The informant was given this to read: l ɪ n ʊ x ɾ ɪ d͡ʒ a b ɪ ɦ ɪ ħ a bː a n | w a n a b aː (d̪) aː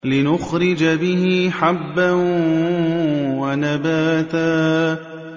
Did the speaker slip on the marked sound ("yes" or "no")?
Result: yes